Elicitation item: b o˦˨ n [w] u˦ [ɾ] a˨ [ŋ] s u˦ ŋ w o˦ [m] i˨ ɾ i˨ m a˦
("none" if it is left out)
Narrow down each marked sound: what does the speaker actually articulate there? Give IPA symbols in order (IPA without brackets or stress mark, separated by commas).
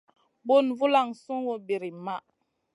v, l, ŋ, b